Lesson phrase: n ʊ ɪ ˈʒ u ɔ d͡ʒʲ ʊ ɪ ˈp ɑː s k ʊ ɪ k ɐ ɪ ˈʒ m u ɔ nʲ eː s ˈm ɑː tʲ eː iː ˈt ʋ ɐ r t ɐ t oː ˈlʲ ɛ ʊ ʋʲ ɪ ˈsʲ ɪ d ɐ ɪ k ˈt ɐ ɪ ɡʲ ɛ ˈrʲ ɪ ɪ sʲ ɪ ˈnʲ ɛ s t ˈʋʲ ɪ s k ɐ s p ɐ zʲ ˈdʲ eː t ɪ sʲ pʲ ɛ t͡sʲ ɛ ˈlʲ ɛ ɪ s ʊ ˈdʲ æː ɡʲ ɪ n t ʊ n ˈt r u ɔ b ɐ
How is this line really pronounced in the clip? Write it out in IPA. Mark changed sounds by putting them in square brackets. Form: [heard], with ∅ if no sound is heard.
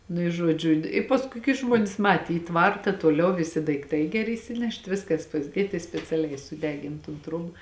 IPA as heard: n ʊ ɪ ˈʒ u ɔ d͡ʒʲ ʊ ɪ ˈp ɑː s k ʊ ɪ k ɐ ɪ ˈʒ m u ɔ nʲ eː s ˈm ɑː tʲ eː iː ˈt ʋ ɐ r t ɐ t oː ˈlʲ ɛ ʊ ʋʲ ɪ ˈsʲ ɪ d ɐ ɪ k ˈt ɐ ɪ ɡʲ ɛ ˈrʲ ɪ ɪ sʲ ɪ ˈnʲ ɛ [ʃ] t ˈʋʲ ɪ s k ɐ s p ɐ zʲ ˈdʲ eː t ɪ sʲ pʲ ɛ t͡sʲ ɛ ˈlʲ ɛ ɪ s ʊ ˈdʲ æː ɡʲ ɪ n t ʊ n ˈt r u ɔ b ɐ